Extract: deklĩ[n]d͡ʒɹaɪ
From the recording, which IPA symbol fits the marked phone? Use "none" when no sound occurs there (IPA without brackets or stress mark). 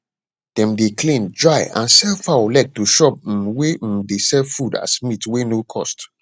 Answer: n